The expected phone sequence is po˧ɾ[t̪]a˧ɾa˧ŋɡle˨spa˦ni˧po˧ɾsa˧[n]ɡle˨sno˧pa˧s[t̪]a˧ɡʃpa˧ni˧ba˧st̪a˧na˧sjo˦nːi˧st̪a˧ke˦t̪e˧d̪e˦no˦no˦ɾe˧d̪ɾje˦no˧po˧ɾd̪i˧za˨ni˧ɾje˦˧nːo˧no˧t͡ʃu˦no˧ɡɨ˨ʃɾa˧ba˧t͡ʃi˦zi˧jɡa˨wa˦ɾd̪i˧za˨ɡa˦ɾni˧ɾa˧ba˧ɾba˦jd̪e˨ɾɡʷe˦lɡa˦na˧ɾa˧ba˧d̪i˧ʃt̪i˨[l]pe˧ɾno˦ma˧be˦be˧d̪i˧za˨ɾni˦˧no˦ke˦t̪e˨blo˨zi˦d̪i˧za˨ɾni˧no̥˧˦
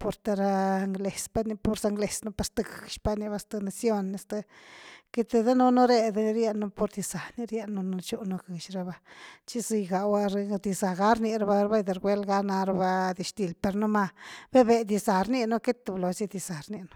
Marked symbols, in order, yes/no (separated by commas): yes, no, yes, yes